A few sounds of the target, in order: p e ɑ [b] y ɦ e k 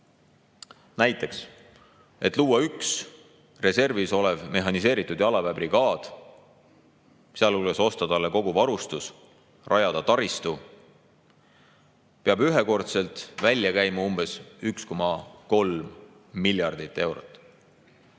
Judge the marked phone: correct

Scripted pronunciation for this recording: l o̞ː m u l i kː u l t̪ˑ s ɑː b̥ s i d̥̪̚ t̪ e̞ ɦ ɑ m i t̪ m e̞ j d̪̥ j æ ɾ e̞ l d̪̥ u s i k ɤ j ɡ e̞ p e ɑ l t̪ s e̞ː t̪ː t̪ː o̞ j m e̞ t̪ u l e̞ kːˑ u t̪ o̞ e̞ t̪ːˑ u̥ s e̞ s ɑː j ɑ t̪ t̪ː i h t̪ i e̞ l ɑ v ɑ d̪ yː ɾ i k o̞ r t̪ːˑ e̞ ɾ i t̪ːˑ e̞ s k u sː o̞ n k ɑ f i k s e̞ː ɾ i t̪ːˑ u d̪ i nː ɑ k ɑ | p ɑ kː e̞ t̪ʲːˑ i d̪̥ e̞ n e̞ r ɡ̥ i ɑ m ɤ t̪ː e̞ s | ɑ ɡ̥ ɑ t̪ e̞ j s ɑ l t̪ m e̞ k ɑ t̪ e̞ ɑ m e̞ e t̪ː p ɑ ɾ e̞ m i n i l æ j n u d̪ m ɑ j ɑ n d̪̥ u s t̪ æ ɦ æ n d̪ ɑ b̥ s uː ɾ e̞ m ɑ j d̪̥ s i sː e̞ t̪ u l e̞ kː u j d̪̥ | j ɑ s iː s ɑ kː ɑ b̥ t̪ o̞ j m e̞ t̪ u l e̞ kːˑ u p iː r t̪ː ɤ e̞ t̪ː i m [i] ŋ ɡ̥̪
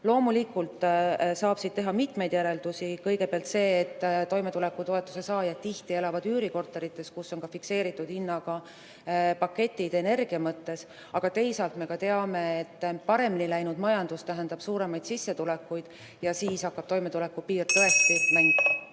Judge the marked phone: incorrect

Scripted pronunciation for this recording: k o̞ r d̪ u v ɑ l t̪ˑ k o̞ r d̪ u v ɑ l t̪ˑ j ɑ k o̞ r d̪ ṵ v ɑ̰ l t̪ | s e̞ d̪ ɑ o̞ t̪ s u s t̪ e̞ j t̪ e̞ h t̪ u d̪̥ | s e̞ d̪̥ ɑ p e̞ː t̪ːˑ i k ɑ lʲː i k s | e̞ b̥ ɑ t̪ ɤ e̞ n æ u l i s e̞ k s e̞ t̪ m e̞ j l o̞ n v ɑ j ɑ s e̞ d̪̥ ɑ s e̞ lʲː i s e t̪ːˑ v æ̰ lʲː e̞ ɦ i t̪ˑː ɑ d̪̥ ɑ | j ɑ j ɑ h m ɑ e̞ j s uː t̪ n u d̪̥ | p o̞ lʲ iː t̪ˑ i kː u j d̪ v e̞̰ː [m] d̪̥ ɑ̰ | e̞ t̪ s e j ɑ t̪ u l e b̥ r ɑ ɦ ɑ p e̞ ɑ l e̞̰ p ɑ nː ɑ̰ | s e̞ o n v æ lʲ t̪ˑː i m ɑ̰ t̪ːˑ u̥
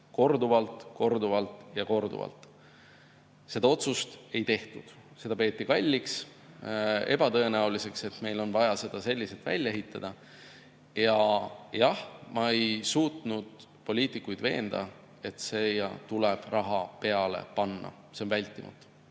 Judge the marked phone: incorrect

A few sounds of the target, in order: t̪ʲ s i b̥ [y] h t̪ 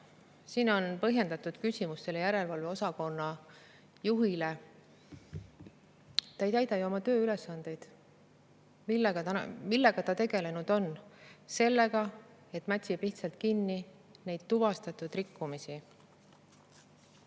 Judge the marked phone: incorrect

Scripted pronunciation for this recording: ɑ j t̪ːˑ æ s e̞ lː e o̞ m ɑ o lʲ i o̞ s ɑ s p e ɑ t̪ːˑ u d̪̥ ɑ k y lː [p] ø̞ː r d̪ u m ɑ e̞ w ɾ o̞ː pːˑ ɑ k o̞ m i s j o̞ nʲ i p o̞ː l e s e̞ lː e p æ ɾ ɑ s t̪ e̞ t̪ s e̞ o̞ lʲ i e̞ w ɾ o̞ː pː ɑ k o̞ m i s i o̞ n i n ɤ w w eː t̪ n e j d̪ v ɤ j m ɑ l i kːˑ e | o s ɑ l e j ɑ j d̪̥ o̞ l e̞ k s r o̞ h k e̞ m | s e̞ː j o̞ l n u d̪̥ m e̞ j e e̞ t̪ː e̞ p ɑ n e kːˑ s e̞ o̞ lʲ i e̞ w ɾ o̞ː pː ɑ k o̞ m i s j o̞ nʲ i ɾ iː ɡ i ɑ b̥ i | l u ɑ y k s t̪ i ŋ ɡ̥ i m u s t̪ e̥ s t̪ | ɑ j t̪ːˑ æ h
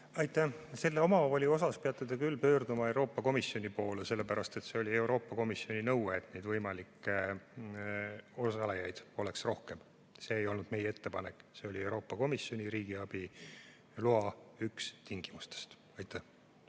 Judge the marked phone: correct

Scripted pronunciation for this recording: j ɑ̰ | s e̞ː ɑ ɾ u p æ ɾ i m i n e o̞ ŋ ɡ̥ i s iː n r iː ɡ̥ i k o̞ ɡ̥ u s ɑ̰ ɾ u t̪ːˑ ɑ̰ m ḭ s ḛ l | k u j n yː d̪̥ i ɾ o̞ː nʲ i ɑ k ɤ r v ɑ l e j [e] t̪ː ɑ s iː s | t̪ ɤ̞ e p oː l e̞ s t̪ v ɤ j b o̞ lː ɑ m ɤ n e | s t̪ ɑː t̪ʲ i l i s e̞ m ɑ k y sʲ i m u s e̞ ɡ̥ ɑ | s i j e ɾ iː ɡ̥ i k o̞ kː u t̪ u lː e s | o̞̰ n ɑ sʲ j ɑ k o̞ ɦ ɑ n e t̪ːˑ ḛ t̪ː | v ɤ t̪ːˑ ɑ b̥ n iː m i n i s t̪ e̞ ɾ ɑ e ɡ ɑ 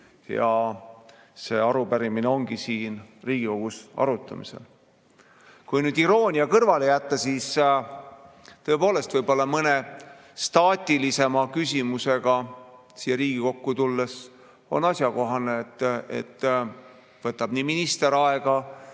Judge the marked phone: incorrect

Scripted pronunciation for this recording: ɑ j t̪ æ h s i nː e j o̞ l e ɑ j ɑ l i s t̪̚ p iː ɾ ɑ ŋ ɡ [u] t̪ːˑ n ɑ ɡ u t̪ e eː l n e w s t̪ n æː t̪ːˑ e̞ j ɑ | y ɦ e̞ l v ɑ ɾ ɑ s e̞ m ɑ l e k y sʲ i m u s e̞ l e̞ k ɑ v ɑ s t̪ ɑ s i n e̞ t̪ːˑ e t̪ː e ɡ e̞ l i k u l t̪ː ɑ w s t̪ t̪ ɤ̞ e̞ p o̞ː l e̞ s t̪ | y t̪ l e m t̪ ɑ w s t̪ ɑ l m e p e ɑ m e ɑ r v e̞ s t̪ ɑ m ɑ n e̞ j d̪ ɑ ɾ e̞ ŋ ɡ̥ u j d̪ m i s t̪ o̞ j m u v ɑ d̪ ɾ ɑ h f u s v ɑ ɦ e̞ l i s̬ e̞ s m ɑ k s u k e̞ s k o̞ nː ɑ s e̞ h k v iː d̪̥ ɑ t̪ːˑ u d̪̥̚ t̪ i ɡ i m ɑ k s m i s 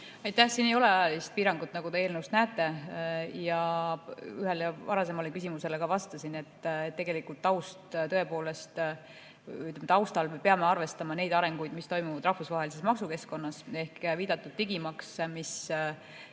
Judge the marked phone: correct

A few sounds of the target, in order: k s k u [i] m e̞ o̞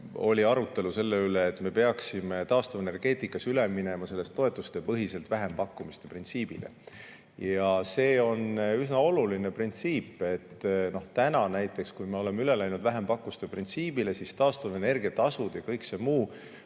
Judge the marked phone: incorrect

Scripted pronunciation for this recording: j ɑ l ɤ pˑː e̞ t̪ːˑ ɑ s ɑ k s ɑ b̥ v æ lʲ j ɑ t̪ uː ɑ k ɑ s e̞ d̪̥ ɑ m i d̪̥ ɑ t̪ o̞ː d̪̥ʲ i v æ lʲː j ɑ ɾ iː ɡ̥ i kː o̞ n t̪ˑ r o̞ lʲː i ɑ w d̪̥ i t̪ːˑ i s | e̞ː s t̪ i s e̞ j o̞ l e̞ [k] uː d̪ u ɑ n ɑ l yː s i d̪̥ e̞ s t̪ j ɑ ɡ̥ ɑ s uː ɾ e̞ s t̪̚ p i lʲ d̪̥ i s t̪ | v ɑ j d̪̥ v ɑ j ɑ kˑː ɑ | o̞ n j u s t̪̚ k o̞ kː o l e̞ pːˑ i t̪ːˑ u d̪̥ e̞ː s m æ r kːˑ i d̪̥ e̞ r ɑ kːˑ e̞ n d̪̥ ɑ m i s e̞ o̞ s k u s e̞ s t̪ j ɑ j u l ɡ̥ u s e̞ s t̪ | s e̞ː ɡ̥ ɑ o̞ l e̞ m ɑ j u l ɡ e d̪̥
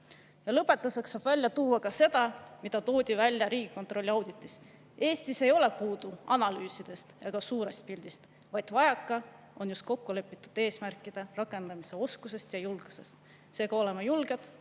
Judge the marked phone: incorrect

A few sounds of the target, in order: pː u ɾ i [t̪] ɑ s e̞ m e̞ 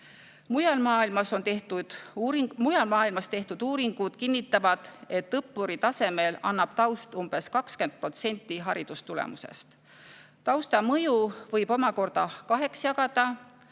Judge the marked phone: correct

